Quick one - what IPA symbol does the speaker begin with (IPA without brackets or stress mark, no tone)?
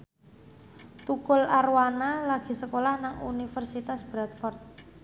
t̪